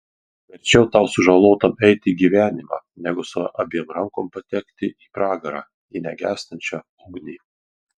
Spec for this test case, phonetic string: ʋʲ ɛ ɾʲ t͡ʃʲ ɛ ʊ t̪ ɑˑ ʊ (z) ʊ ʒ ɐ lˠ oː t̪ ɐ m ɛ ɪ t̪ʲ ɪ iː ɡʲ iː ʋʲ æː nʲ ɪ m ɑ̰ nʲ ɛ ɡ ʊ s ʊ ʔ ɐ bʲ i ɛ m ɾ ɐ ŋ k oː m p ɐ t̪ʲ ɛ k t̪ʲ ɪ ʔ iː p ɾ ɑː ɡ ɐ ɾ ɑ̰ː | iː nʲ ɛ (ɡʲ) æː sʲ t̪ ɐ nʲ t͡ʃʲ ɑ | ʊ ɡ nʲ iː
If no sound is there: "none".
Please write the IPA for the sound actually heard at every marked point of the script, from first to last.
s, ɡʲ

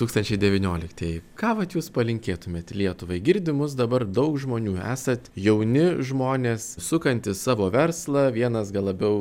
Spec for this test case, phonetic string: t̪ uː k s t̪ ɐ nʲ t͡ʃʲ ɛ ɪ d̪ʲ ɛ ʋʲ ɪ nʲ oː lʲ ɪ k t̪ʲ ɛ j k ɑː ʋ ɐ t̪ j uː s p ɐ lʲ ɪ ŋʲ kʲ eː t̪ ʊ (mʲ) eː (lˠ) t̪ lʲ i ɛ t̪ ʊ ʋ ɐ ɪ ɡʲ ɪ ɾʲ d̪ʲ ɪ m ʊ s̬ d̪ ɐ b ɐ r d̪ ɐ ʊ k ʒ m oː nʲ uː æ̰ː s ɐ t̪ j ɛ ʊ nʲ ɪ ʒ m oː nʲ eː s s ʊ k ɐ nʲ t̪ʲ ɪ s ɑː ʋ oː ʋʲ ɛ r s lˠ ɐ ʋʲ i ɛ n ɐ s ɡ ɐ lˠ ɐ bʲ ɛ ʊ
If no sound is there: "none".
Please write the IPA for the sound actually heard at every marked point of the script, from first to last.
mʲ, none

